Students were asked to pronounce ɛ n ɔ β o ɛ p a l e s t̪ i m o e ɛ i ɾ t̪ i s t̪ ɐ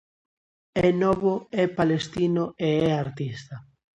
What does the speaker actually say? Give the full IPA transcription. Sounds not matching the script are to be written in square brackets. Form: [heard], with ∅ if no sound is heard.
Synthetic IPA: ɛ n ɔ β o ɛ p a l e s t̪ i [n] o e ɛ [a] ɾ t̪ i s t̪ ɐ

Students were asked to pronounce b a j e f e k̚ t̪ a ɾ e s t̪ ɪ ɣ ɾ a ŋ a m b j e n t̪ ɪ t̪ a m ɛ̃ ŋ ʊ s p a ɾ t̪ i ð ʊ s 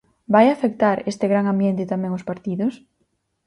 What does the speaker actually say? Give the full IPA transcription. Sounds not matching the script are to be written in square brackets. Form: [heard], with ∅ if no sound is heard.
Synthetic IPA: b a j [a] f e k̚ t̪ a ɾ e s t̪ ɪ ɣ ɾ a ŋ a m b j e n t̪ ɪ t̪ a m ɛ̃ ŋ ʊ s p a ɾ t̪ i ð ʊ s

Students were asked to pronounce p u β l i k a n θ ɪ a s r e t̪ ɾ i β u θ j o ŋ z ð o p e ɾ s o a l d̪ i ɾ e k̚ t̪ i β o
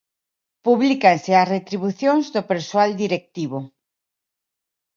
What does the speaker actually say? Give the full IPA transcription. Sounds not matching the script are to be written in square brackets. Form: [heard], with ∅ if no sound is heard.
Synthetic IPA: p u β l i k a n [s] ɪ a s r e t̪ ɾ i β u θ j o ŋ z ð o p e ɾ s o a l d̪ i ɾ e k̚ t̪ i β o

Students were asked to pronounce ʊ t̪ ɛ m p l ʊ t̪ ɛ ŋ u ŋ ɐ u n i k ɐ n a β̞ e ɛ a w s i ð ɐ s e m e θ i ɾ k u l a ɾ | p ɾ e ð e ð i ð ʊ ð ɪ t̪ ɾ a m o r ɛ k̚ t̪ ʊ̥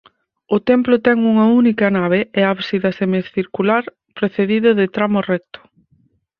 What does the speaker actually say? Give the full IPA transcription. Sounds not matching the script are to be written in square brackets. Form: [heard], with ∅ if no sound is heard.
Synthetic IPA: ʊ t̪ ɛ m p l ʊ t̪ ɛ ŋ u ŋ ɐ u n i k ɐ n a β̞ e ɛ a [β] s i ð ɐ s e m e θ i ɾ k u l a ɾ | p ɾ e [θ] e ð i ð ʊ ð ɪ t̪ ɾ a m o r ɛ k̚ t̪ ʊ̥

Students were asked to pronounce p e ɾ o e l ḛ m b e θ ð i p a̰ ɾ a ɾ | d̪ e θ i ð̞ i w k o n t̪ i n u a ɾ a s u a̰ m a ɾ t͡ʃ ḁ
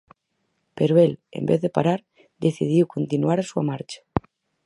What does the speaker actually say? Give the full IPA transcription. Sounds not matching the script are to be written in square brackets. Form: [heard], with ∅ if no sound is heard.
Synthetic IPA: p e ɾ o e l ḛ m b e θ ð [e] p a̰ ɾ a ɾ | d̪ e θ i ð̞ i w k o n t̪ i n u a ɾ a s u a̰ m a ɾ t͡ʃ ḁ

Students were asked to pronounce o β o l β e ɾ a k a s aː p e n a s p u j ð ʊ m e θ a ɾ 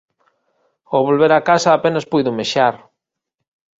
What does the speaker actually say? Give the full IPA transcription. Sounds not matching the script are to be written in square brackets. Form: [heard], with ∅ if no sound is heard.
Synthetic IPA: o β o l β e ɾ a k a s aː p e n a s p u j ð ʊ m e [ʃ] a ɾ

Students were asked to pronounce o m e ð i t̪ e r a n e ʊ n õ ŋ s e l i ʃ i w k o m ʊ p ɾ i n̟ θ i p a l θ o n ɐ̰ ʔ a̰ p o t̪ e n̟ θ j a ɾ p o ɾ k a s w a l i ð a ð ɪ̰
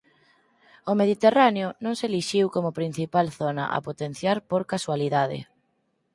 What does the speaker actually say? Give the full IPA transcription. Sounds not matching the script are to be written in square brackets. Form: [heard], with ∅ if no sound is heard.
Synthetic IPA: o m e ð i t̪ e r a n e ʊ n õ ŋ s e l i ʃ i w k o m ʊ p ɾ i n̟ θ i p a l θ o n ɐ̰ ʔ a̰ p o t̪ e n̟ θ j a ɾ p o ɾ k a s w a l i ð a ð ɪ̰

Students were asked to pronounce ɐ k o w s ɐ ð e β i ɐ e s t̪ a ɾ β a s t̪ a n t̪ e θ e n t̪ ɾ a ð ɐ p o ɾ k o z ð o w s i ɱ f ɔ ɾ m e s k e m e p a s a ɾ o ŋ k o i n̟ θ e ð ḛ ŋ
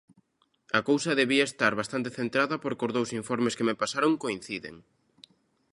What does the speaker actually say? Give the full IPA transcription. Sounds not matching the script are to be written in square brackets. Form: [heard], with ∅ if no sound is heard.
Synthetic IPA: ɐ k o w s ɐ ð e β i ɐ e s t̪ a ɾ β a s t̪ a n t̪ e θ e n t̪ ɾ a ð ɐ p o ɾ k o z ð o w s i ɱ f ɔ ɾ m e s k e m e p a s a ɾ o ŋ k o i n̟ θ [i] ð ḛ ŋ

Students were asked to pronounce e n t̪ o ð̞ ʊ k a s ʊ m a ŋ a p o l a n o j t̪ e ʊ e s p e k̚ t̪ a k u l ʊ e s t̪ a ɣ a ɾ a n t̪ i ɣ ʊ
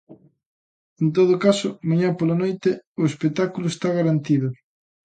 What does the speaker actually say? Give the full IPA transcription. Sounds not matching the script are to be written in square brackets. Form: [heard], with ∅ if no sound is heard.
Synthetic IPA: e n t̪ o ð̞ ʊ k a s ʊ m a [ɲ] a p o l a n o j t̪ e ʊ e s p e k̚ t̪ a k u l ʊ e s t̪ a ɣ a ɾ a n t̪ i [ð] ʊ

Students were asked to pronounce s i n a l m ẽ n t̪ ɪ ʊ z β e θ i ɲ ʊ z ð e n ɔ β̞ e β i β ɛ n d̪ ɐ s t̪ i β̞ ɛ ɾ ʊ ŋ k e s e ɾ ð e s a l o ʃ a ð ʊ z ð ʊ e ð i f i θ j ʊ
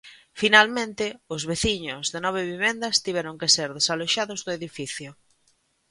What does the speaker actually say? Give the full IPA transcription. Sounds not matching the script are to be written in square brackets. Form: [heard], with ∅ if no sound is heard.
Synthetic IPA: [f] i n a l m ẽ n t̪ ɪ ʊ z β e θ i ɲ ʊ z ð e n ɔ β̞ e β i β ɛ n d̪ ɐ s t̪ i β̞ ɛ ɾ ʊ ŋ k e s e ɾ ð e s a l o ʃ a ð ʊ z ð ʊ e ð i f i θ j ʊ

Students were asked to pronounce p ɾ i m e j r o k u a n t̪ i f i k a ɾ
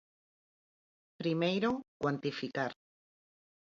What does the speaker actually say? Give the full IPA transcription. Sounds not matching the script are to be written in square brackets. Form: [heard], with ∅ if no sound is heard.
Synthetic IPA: p ɾ i m e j [ɾ] o k [w] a n t̪ i f i k a ɾ

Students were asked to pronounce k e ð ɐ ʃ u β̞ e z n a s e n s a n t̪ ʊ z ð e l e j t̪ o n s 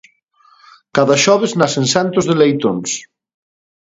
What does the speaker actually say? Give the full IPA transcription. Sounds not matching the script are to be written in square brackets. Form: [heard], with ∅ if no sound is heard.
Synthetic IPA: k [a] ð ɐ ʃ [ɔ] β̞ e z n a s e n s a n t̪ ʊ z ð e l e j t̪ o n s

